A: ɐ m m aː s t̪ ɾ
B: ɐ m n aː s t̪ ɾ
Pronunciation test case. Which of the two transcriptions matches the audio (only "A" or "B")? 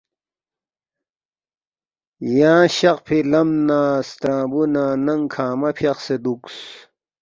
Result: B